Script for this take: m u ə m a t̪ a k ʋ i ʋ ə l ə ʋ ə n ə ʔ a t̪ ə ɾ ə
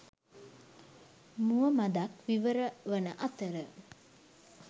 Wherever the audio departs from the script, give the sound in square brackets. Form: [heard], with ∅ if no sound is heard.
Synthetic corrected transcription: m u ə m a [d̪] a k ʋ i ʋ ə [ɾ] ə ʋ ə n ə ʔ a t̪ ə ɾ ə